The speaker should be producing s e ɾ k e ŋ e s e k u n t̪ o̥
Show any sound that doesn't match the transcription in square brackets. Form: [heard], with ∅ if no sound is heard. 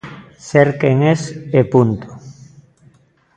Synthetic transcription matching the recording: s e ɾ k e ŋ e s e [p] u n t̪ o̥